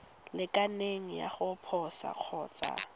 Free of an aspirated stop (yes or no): no